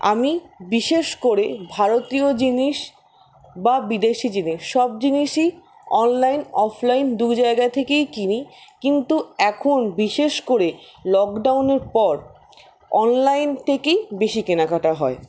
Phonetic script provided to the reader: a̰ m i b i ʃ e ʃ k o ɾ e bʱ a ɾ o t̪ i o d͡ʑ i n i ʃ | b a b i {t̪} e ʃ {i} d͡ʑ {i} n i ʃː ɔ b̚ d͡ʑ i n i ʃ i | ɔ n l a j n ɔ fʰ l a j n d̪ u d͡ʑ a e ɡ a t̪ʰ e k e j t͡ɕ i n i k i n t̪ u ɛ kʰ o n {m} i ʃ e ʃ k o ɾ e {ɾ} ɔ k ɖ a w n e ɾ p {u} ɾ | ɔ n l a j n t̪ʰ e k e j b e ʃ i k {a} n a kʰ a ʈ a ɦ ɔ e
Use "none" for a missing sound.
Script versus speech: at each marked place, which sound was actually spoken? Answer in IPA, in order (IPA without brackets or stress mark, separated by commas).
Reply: d̪, i, i, b, l, ɔ, e